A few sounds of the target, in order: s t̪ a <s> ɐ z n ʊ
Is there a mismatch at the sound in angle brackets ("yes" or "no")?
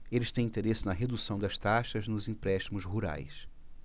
yes